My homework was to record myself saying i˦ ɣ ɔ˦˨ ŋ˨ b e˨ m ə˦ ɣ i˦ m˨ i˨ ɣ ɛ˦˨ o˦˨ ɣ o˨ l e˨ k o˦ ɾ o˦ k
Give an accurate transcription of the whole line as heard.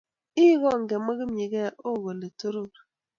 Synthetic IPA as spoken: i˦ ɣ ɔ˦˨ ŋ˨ ɡ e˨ m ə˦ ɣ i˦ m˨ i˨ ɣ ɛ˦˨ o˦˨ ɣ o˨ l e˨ t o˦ ɾ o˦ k